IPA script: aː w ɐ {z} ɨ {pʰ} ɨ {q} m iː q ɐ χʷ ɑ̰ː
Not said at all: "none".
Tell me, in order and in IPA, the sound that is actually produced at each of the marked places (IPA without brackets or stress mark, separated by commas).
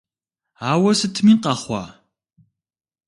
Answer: s, tʰ, none